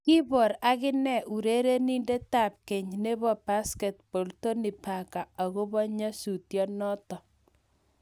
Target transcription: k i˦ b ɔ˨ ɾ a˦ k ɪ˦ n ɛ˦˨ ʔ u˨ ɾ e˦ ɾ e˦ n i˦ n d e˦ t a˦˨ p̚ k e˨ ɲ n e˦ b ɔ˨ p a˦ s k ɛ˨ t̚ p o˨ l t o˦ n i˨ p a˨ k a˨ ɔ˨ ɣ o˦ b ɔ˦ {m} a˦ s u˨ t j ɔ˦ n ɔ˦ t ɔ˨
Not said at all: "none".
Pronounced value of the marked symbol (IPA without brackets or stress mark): ɲ